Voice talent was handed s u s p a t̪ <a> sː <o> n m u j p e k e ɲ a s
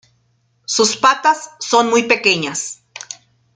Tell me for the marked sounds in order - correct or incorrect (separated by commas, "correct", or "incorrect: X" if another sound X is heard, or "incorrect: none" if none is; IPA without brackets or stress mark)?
correct, correct